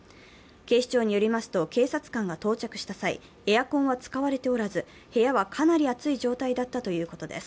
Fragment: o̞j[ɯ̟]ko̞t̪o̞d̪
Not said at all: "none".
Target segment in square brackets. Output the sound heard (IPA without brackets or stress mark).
ɯ̟ː